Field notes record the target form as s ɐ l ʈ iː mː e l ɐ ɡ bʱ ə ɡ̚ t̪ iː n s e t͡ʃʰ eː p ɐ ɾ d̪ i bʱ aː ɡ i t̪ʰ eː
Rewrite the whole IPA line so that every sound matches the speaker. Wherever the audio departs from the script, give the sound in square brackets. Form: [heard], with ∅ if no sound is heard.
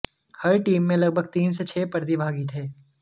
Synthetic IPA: [h] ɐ [ɾ] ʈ iː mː [ẽ] l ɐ ɡ bʱ ə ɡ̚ t̪ iː n s e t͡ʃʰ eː p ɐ ɾ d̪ i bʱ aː ɡ i t̪ʰ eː